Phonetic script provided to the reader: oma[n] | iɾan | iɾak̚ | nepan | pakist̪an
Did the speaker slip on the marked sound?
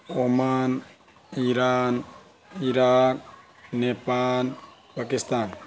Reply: no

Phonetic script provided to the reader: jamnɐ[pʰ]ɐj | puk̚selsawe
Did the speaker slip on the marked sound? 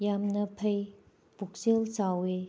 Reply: no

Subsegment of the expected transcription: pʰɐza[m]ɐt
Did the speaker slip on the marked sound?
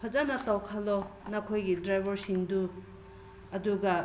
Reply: yes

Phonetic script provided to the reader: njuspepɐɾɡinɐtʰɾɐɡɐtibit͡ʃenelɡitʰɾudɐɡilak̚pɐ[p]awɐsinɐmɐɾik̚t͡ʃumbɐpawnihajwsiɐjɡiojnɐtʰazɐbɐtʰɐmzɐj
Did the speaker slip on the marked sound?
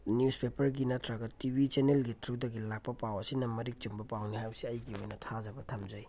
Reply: no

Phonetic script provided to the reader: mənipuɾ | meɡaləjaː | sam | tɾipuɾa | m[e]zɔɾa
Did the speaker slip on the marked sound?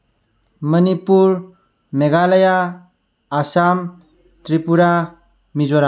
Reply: yes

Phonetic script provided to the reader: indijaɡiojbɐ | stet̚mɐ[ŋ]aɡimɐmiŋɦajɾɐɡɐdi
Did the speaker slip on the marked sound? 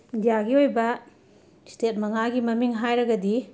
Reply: no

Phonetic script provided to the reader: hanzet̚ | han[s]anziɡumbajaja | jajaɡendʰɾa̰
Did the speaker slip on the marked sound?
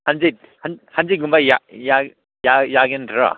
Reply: yes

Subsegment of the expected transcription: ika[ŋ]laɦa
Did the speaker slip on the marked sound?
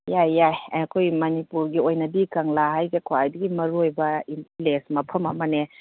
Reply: no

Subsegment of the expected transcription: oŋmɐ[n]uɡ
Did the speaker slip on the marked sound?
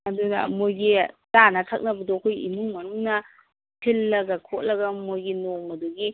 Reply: yes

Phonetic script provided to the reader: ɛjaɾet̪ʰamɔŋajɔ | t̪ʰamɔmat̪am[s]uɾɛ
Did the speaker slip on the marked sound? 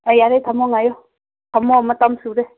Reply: no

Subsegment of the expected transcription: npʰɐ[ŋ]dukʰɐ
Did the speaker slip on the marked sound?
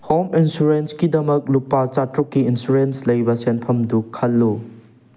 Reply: yes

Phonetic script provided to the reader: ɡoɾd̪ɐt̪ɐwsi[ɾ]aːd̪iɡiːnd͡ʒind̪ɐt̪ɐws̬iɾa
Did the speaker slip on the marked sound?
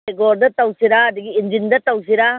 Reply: no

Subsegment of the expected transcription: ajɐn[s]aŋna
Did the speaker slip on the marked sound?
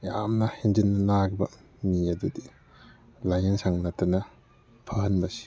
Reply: no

